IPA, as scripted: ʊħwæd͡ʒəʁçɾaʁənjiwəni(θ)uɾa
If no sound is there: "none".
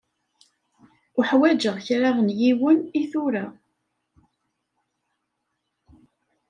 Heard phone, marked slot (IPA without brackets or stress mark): θ